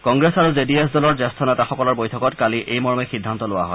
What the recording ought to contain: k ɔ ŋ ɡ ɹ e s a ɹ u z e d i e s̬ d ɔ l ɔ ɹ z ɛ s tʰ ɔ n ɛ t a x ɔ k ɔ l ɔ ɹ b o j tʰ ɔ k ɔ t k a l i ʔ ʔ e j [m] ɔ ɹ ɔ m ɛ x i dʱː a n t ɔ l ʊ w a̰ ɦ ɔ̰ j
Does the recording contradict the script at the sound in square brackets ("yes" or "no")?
no